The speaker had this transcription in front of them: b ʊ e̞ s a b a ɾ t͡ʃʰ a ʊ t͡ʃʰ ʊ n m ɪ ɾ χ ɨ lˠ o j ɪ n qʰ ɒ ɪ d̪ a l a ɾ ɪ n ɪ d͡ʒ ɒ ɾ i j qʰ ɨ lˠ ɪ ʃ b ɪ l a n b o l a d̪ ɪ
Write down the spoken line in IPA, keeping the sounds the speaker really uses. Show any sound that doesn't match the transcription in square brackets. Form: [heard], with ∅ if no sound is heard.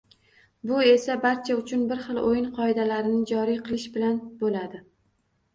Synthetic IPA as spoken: b ʊ e̞ s a b a ɾ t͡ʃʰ a ʊ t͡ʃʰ ʊ n [b] ɪ ɾ χ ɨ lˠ o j ɪ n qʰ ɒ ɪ d̪ a l a ɾ ɪ n ɪ d͡ʒ ɒ ɾ i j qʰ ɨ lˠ ɪ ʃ b ɪ l a n b o l a d̪ ɪ